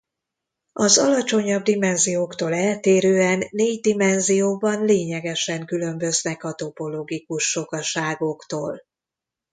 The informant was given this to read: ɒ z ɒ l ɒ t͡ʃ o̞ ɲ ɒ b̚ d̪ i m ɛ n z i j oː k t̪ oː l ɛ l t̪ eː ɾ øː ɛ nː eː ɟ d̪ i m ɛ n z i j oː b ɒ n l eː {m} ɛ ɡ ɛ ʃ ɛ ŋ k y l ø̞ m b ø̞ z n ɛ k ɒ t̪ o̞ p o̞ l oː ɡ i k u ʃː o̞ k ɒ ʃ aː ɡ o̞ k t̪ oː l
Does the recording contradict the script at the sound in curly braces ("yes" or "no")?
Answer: yes